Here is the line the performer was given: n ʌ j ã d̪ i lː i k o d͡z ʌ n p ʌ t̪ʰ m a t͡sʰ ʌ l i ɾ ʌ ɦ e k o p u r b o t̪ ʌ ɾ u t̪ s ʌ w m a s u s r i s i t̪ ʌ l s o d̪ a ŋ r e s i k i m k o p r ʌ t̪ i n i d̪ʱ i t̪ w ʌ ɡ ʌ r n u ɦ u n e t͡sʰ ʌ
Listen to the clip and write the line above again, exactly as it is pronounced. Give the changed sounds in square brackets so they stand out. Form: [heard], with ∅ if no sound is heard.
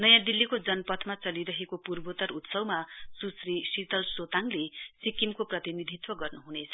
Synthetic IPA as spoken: n ʌ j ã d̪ i lː i k o d͡z ʌ n p ʌ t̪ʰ m a [t͡s] ʌ l i ɾ ʌ ɦ e k o p u r b o t̪ ʌ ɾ u t̪ s ʌ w m a s u s r i s i t̪ ʌ l s o [t̪] a ŋ [l] e s i k i m k o p r ʌ t̪ i n i d̪ʱ i t̪ w ʌ ɡ ʌ r n u ɦ u n e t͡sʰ ʌ